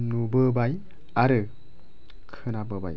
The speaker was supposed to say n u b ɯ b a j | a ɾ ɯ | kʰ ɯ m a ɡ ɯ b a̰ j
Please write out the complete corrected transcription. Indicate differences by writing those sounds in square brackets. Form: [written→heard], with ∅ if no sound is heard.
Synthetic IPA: n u b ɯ b a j | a ɾ ɯ | kʰ ɯ [m→n] a [ɡ→b] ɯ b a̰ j